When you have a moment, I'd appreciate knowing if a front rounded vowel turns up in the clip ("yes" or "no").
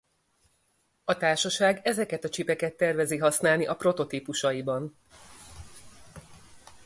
no